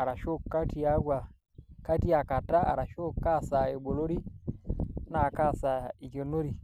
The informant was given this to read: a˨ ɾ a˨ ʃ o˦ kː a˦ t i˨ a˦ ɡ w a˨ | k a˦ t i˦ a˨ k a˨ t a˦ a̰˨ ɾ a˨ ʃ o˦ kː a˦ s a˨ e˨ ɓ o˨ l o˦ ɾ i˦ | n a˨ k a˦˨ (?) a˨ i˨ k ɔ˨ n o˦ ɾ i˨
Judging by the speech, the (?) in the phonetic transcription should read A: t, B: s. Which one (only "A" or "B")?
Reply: B